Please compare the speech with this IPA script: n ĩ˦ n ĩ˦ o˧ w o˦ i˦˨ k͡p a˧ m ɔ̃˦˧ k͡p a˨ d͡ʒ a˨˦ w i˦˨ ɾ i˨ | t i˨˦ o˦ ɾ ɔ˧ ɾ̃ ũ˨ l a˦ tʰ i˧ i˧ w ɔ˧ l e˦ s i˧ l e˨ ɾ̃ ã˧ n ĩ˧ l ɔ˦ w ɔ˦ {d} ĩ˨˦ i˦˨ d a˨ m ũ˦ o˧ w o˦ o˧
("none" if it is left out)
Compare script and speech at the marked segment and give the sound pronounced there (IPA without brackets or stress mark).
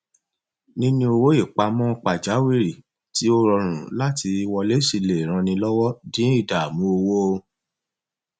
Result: d